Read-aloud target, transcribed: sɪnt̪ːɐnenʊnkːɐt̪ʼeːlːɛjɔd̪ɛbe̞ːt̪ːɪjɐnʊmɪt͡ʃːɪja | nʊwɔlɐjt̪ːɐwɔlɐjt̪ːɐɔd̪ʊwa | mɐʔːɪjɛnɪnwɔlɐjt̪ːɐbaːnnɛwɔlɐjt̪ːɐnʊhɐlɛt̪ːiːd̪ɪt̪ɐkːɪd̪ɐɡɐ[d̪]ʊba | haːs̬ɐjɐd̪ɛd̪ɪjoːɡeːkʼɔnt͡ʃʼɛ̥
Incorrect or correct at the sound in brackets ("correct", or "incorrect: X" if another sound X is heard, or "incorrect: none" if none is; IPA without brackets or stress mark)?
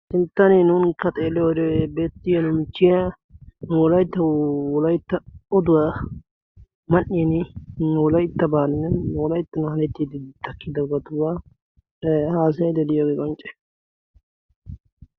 incorrect: t̪